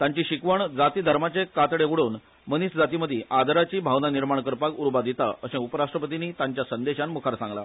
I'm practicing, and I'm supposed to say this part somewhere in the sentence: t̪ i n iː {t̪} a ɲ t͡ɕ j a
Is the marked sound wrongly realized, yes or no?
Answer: no